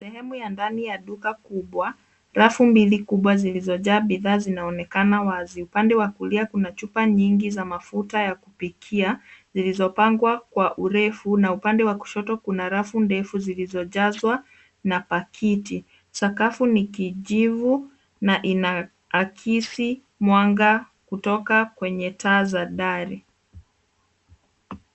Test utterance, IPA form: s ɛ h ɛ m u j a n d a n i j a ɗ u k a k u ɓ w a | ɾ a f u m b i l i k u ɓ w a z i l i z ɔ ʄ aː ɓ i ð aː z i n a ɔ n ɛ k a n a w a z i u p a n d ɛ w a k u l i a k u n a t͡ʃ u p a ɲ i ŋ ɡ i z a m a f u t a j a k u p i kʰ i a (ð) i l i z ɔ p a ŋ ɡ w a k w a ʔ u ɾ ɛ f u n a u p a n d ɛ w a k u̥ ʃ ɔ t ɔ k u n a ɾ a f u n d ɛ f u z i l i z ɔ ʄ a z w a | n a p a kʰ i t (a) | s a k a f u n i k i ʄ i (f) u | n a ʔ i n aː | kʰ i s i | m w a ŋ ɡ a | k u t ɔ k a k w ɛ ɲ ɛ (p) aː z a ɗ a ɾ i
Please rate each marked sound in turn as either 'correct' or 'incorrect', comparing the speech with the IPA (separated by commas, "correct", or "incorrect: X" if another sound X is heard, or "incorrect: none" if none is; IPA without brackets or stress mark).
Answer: incorrect: z, incorrect: i, incorrect: v, incorrect: t